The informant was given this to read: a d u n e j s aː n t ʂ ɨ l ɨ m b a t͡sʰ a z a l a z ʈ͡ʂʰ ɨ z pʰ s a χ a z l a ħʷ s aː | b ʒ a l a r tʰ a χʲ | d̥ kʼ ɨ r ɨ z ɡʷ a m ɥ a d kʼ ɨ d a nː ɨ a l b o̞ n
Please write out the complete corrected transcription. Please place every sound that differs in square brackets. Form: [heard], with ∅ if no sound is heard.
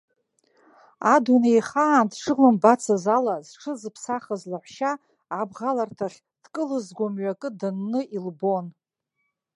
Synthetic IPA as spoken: a d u n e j [χ] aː n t ʂ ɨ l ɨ m b a t͡sʰ a z a l a z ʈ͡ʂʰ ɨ z pʰ s a χ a z l a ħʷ [ʃ] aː | b [ʁ] a l a r tʰ a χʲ | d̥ kʼ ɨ [l] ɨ z ɡʷ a m ɥ a [∅] kʼ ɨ d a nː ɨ [i] l b o̞ n